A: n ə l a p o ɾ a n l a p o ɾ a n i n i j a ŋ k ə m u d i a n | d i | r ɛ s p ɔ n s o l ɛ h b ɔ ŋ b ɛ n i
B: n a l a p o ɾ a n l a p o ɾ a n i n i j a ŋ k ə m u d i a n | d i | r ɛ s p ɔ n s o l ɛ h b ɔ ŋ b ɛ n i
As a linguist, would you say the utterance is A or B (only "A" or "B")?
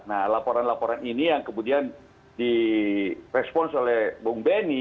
B